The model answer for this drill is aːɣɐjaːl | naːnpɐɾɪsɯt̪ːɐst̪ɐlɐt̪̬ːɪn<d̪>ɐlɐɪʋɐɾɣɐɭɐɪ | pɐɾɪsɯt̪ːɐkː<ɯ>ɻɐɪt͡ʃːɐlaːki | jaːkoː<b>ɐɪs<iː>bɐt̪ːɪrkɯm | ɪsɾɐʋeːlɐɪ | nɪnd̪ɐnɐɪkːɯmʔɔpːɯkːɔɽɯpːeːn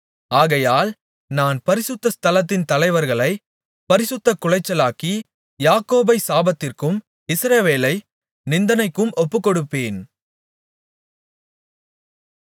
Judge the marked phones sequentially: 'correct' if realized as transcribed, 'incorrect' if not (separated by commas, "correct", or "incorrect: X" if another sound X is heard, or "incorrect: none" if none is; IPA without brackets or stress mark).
incorrect: t̪, incorrect: ʊ, correct, incorrect: aː